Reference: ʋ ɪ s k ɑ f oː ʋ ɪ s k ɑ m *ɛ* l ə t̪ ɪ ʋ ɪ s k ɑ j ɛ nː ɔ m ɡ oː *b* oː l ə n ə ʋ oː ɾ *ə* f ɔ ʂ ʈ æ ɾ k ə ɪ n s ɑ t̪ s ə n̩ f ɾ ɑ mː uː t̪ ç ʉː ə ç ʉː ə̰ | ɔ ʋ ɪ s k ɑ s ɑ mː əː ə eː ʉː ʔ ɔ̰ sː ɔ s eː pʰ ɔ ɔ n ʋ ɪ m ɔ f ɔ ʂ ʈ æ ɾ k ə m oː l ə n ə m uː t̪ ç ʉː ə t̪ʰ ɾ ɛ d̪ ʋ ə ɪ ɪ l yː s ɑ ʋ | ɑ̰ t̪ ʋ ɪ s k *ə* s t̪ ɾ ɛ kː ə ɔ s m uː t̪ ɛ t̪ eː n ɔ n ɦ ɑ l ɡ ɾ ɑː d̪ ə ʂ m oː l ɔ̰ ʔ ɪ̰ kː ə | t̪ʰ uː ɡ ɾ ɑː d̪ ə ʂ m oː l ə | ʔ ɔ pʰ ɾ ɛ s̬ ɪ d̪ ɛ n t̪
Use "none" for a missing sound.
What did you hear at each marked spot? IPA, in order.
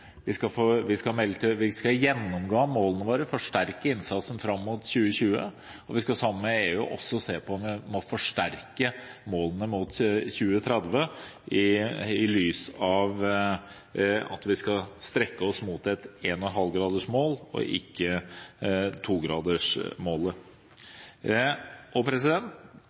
ɛ, m, ə, ɑ

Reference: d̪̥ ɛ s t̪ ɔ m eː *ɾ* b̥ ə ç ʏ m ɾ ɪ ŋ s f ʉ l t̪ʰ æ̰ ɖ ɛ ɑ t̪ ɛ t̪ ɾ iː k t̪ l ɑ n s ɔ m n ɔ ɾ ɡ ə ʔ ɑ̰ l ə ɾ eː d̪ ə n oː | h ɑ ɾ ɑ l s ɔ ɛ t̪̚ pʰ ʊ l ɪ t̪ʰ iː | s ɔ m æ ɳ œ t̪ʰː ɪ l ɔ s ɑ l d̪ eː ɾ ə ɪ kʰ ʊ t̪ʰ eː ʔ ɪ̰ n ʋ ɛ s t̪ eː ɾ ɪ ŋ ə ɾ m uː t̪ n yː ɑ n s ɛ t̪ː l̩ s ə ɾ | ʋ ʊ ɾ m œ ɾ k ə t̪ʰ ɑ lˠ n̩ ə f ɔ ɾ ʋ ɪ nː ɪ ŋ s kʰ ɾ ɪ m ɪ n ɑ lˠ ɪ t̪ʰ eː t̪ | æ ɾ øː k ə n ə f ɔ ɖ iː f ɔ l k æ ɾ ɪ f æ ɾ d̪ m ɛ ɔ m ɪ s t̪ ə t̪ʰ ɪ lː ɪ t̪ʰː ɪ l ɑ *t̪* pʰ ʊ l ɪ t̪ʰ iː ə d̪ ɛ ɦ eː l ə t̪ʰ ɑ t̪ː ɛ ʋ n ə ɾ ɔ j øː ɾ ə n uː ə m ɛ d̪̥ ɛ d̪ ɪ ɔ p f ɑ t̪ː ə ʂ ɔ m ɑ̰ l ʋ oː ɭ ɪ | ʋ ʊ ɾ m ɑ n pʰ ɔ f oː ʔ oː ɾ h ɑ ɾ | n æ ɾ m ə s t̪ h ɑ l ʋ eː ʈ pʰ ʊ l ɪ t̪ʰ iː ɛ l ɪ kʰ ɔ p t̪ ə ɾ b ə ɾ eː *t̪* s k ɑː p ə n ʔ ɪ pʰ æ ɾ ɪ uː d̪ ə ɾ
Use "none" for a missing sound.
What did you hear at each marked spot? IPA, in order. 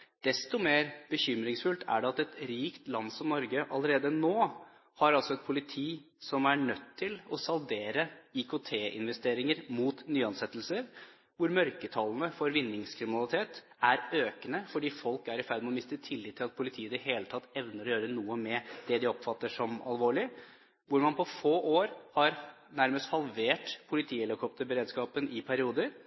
ɾ, t̪, d̪

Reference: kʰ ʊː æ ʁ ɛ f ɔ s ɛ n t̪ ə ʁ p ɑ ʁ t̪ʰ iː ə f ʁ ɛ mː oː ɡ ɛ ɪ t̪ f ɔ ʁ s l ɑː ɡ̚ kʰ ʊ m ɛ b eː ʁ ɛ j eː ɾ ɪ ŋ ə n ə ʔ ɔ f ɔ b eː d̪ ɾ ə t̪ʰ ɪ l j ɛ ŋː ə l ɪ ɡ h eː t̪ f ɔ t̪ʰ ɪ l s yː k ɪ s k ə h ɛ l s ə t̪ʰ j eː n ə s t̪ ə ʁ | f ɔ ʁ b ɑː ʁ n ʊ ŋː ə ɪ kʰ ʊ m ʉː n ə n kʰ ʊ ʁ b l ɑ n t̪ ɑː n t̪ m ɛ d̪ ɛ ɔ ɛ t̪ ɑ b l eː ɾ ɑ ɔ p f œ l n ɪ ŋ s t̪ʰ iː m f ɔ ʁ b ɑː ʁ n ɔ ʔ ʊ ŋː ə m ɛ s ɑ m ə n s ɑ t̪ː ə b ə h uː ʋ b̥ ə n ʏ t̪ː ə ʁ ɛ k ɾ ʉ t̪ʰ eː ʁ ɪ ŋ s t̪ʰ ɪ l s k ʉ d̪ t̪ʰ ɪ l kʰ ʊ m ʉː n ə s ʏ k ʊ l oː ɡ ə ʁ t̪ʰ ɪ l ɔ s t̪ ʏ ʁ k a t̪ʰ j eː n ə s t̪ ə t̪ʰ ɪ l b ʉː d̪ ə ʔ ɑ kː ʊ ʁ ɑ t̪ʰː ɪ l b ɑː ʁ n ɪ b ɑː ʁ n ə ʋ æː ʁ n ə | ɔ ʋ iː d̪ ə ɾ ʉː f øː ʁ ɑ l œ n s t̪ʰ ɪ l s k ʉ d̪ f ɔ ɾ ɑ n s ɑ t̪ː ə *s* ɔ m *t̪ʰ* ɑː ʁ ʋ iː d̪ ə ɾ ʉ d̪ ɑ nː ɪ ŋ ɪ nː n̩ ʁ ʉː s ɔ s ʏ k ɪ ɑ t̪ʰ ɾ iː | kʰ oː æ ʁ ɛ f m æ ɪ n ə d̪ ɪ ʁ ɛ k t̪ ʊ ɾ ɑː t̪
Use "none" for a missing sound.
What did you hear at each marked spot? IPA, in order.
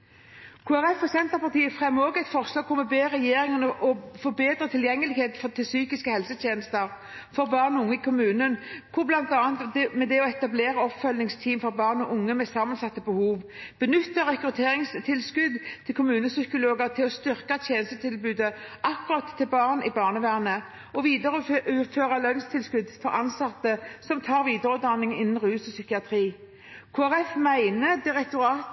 s, t̪ʰ

